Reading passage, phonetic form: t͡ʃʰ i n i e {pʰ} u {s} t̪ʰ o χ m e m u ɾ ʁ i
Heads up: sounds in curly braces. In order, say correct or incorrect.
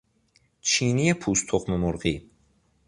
correct, correct

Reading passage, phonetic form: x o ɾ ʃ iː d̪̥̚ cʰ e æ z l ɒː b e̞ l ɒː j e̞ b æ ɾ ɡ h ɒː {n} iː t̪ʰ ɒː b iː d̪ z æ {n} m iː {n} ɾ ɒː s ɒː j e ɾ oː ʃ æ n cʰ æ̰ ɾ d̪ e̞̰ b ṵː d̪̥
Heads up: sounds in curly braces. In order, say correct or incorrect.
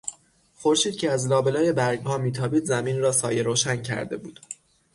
incorrect: m, incorrect: none, correct

